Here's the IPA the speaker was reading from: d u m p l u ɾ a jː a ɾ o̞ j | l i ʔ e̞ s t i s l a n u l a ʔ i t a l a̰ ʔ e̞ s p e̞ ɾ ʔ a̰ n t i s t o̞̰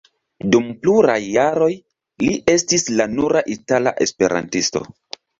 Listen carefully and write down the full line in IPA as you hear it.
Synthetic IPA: d u m p l u ɾ a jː a ɾ o̞ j | l i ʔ e̞ s t i s l a n u ɾ a ʔ i t a l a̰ ʔ e̞ s p e̞ ɾ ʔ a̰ n t i s t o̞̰